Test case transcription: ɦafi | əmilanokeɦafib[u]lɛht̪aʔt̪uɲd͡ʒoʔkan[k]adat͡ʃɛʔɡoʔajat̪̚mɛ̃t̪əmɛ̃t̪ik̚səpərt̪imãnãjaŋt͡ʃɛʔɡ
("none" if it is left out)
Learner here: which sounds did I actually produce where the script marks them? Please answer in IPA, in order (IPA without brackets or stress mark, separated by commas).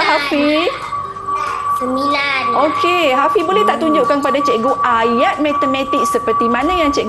o, p